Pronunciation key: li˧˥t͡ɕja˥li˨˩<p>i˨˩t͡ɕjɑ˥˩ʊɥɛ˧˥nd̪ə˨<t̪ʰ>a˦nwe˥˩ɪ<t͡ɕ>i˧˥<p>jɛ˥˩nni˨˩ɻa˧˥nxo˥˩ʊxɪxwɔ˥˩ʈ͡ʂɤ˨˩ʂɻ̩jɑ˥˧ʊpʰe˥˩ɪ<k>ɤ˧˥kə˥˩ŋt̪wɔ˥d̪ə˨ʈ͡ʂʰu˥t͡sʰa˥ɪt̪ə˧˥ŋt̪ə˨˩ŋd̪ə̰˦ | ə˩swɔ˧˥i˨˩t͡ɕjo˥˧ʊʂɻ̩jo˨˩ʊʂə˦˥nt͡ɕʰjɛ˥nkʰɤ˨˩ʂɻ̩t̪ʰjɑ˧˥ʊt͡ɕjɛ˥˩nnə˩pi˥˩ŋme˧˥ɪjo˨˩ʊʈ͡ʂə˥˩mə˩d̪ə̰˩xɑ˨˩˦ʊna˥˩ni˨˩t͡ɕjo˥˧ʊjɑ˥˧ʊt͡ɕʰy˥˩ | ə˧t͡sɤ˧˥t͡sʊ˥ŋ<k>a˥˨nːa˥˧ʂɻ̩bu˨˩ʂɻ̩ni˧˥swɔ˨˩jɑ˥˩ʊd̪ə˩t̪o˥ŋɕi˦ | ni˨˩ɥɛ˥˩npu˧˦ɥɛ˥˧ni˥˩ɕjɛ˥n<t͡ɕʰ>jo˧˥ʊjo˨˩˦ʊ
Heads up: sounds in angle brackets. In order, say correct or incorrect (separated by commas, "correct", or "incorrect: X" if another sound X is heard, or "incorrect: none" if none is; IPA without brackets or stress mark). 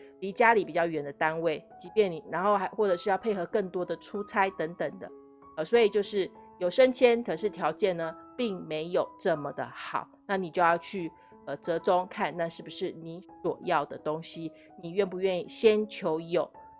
correct, incorrect: t̪, correct, correct, incorrect: x, incorrect: kʰ, correct